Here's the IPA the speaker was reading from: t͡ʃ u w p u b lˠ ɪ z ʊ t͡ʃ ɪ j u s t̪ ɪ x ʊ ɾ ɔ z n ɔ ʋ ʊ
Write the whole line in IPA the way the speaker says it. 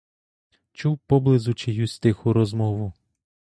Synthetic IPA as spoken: t͡ʃ u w p ɔ b lˠ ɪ z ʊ t͡ʃ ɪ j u s t̪ ɪ x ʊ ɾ ɔ z m ɔ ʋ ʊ